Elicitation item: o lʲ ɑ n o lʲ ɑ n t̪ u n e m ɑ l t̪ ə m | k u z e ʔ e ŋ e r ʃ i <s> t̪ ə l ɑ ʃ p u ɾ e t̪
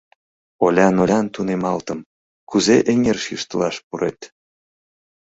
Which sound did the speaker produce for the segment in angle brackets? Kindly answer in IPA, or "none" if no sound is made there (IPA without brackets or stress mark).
ʃ